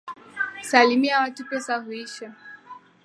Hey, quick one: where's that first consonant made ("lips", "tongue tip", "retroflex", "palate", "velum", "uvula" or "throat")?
tongue tip